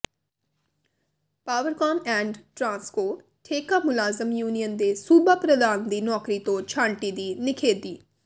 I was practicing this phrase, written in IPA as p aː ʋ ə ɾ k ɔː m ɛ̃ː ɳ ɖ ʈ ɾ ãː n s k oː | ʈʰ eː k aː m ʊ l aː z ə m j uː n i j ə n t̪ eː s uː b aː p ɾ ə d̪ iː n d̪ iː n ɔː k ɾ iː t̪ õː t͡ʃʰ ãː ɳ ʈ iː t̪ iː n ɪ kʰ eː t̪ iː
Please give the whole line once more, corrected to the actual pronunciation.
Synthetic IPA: p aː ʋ ə ɾ k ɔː m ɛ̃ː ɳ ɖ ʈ ɾ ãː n s k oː | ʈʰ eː k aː m ʊ l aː z ə m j uː n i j ə n d̪ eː s uː b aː p ɾ ə d̪ aː n d̪ iː n ɔː k ɾ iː t̪ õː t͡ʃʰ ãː ɳ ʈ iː d̪ iː n ɪ kʰ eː d̪ iː